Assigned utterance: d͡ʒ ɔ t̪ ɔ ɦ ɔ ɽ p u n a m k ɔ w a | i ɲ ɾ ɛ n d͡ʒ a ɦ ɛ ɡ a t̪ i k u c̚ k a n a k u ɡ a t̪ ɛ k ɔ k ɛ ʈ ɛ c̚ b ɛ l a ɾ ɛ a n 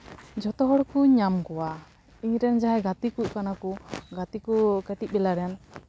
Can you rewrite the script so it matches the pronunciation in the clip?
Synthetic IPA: d͡ʒ ɔ t̪ ɔ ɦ ɔ ɽ k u ɲ a m k ɔ w a | i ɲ ɾ ɛ n d͡ʒ a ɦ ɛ ɡ a t̪ i k u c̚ k a n a k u ɡ a t̪ i k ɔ k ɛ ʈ i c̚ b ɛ l a ɾ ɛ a n